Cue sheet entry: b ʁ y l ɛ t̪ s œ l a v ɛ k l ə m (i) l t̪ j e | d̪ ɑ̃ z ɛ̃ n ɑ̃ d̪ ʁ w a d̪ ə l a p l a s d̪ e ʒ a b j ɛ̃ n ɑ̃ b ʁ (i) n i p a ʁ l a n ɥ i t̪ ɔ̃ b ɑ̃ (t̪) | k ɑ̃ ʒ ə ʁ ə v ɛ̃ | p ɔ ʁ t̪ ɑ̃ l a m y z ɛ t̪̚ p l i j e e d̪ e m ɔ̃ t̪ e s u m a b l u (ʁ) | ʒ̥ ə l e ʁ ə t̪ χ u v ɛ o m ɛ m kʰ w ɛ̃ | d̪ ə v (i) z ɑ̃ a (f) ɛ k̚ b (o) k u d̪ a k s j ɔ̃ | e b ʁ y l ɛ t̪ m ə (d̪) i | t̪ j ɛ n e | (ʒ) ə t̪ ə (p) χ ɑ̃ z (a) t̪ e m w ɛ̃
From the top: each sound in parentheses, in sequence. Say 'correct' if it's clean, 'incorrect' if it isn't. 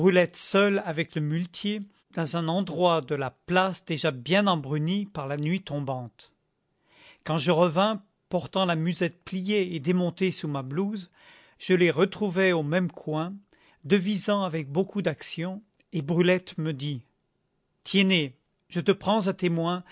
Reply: incorrect: y, incorrect: y, correct, incorrect: z, correct, incorrect: v, correct, correct, correct, correct, correct

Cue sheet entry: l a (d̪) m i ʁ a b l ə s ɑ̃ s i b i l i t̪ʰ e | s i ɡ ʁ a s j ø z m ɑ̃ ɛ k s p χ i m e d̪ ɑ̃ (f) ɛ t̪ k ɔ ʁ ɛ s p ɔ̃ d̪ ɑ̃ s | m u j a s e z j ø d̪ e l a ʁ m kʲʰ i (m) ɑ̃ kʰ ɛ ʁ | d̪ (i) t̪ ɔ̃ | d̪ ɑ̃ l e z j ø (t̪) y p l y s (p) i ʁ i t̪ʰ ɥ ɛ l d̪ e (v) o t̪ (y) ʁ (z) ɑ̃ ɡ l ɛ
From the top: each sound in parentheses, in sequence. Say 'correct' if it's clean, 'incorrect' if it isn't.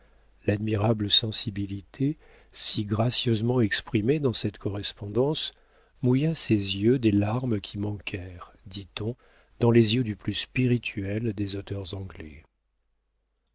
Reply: correct, incorrect: s, correct, correct, incorrect: d̪, correct, incorrect: z, incorrect: œ, correct

